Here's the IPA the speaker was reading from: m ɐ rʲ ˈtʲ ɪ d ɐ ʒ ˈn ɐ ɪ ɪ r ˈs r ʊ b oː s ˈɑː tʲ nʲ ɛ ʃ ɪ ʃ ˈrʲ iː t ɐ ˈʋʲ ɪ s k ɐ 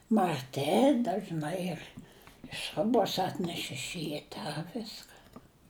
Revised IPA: m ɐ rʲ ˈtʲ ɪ d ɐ ʒ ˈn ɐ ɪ ɪ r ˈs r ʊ b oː s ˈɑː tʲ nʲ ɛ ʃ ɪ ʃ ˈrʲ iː t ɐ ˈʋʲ ɪ s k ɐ